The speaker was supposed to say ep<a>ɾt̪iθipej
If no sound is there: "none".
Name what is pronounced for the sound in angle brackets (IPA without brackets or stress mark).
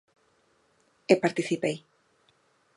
a